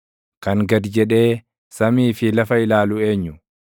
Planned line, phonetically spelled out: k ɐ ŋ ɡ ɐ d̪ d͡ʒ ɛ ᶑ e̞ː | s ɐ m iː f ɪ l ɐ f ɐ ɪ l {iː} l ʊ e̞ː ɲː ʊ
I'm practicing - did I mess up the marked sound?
yes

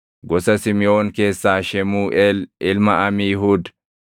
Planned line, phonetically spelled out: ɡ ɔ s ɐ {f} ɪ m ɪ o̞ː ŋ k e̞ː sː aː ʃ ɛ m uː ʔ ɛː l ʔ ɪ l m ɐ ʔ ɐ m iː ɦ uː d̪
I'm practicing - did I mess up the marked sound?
yes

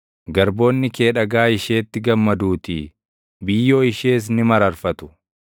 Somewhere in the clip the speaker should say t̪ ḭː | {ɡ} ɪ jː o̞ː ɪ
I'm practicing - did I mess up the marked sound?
yes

